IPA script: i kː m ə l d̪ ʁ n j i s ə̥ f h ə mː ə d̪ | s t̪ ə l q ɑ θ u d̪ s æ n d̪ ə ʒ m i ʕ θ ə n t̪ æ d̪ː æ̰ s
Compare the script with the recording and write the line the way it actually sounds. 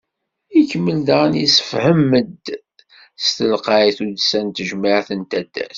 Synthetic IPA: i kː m ə l d̪ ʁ n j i s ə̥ f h ə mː ə d̪ | s t̪ ə l q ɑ θ u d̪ s æ n t̪ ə ʒ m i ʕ θ ə n t̪ æ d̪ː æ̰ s